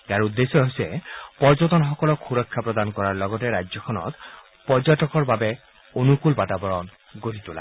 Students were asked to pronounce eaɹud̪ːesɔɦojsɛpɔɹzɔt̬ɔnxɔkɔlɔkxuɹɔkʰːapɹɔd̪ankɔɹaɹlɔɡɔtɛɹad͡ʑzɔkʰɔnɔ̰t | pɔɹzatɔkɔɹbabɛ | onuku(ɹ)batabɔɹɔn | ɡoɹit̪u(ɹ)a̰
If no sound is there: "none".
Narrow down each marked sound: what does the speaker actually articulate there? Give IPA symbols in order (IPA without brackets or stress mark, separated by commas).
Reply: l, l